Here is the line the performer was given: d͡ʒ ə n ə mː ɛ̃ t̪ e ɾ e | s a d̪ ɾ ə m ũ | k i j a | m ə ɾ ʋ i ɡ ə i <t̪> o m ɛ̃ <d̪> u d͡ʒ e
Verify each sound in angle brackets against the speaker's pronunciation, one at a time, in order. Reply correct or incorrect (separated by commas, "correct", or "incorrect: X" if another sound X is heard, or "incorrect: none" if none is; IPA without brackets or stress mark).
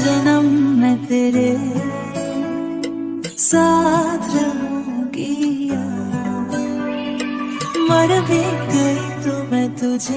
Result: correct, incorrect: t̪